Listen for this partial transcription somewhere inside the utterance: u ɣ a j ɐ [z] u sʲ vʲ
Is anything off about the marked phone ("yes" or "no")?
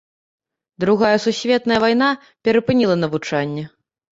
yes